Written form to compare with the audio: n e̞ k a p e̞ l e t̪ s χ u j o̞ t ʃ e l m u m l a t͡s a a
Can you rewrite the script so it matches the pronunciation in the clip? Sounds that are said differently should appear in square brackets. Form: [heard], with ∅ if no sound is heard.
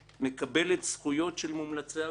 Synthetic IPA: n e̞ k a [b] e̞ l e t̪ s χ u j o̞ t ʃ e l m u m l a t͡s [e] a